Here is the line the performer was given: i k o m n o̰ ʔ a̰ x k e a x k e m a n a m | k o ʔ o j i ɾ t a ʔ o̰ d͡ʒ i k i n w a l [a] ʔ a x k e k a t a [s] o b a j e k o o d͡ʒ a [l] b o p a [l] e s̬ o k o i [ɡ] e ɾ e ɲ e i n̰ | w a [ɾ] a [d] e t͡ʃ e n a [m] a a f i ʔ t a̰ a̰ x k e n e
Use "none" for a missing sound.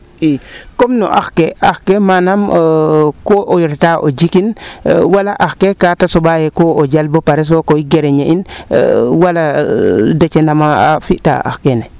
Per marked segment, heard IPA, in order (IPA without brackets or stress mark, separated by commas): a, s, l, ɾ, ɡ, l, d, m